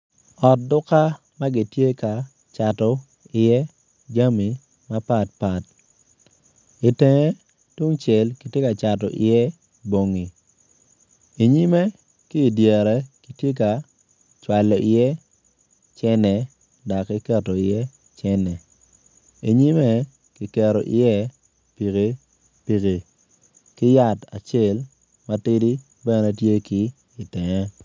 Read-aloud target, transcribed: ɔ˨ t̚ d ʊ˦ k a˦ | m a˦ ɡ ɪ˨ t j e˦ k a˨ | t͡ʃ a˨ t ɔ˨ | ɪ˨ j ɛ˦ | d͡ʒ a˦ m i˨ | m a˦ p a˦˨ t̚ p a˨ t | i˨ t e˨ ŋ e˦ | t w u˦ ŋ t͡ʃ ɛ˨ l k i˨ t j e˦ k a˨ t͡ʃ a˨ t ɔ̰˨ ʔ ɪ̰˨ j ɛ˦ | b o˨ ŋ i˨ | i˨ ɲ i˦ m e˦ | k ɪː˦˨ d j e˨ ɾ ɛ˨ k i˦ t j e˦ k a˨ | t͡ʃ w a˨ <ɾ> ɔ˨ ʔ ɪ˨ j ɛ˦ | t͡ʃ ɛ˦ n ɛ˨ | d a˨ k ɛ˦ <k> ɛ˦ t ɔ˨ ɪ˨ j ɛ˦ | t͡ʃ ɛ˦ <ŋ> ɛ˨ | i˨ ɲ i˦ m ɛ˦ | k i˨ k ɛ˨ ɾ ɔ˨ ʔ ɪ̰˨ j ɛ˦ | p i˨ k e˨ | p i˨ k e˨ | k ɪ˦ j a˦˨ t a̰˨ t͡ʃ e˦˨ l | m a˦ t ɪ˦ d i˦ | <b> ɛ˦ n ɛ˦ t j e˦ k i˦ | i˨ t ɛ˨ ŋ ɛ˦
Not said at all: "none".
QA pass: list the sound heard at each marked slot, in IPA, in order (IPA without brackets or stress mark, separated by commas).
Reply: l, k, n, b